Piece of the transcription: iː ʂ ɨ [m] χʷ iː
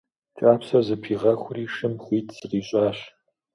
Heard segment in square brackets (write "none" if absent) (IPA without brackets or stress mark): m